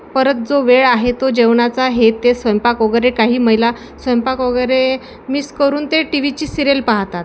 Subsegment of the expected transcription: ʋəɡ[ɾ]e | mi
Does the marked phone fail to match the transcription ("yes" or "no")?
no